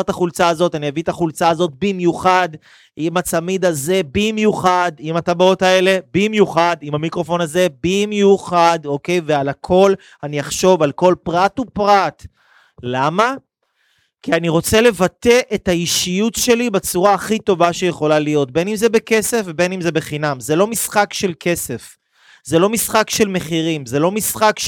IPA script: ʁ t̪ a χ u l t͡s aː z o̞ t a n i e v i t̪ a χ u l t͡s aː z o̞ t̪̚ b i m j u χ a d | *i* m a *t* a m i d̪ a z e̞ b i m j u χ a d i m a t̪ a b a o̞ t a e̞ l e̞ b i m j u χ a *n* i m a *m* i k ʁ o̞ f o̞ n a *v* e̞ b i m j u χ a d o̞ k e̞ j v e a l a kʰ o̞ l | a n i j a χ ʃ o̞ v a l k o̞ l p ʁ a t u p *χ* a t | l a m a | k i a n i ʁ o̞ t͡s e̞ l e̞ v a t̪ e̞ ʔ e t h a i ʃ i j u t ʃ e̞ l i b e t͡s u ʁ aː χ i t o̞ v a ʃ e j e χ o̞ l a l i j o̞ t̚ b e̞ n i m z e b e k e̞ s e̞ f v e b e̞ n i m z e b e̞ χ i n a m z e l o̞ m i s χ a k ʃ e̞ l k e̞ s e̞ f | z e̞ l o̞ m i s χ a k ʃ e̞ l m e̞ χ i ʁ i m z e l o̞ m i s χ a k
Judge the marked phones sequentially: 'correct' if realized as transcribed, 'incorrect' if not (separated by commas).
correct, incorrect, incorrect, correct, incorrect, incorrect